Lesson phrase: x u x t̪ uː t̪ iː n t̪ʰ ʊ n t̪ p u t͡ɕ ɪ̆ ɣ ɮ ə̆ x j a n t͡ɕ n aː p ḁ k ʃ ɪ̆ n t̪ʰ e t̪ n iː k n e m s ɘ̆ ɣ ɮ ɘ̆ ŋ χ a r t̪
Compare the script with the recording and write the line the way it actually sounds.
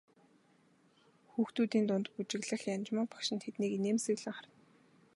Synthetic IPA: x uː x t̪ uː t̪ iː n t̪ ʊ n t̪ p u t͡ɕ ɪ̆ ɣ ɮ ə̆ x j a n t͡ɕ m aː p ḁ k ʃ ɪ̆ n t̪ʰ e t̪ n iː k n e m s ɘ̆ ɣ ɮ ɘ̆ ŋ χ a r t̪

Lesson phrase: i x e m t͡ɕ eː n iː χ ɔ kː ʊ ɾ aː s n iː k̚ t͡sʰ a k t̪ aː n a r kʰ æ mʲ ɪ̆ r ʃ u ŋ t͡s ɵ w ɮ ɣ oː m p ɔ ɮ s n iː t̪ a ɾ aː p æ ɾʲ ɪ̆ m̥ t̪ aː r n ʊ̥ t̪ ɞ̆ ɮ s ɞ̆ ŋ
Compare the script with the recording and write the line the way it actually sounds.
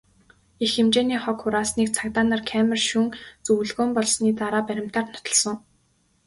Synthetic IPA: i x e m t͡ɕ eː n iː χ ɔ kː ʊ ɾ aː s n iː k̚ t͡sʰ a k t̪ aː n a r kʰ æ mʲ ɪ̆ r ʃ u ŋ t͡s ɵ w ɮ ɣ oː m p ɔ ɮ s n iː t̪ a ɾ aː p æ ɾʲ ɪ̆ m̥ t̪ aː r n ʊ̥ t̪ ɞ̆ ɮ s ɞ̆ ŋ

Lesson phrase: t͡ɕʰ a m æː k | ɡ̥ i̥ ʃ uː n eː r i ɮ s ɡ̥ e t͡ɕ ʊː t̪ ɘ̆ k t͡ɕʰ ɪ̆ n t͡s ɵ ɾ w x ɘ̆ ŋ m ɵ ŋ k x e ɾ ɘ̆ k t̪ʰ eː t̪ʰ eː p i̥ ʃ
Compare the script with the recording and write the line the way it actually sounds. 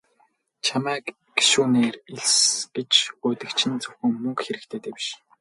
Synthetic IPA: t͡ɕʰ a m æː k | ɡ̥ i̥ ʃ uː n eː r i ɮ s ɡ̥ e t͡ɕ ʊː t̪ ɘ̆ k t͡ɕʰ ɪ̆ n t͡s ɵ w x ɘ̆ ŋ m ɵ ŋ k x e ɾ ɘ̆ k t̪ʰ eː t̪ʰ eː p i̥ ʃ

